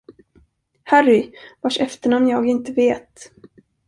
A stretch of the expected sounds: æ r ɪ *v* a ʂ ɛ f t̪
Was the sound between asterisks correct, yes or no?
yes